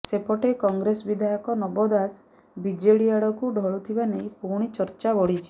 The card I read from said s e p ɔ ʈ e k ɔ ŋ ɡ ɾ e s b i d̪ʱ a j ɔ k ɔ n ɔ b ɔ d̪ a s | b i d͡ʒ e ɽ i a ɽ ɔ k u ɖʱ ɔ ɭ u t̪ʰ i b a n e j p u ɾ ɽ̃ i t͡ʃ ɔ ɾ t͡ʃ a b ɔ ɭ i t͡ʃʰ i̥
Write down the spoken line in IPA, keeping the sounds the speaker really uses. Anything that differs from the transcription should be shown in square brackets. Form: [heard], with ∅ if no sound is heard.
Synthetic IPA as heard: s e p ɔ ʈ e k ɔ ŋ ɡ ɾ e s b i d̪ʱ a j ɔ k ɔ n ɔ b ɔ d̪ a s | b i d͡ʒ e ɽ i a ɽ ɔ k u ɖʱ ɔ ɭ u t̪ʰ i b a n e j p u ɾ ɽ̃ i t͡ʃ ɔ ɾ t͡ʃ a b ɔ [ɽ] i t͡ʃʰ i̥